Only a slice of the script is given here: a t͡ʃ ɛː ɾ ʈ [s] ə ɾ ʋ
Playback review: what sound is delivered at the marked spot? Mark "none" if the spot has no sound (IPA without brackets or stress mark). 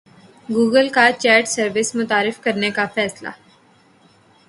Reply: s